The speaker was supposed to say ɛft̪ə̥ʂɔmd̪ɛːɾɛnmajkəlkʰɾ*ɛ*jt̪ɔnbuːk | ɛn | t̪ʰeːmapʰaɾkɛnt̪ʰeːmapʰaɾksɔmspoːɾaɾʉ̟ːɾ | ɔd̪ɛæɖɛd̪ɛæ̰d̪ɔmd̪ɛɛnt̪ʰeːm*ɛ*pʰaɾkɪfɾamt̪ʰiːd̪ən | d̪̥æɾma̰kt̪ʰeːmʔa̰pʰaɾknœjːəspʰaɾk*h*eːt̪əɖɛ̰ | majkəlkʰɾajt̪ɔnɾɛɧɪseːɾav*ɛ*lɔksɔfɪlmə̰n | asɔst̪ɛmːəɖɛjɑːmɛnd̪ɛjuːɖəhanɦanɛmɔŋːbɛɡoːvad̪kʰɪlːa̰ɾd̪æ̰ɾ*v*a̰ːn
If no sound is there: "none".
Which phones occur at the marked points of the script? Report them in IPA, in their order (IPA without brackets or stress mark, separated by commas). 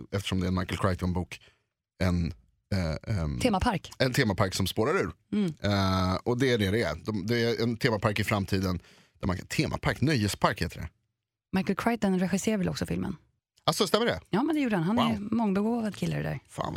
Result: a, a, h, ɛ, f